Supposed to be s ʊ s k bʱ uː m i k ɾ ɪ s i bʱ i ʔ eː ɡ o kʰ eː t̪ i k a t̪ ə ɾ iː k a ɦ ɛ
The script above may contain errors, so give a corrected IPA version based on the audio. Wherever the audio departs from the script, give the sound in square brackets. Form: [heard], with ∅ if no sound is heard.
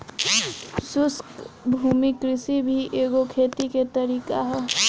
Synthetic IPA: s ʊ s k bʱ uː m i k ɾ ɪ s i bʱ i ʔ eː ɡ o kʰ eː t̪ i k [e] t̪ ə ɾ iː k a ɦ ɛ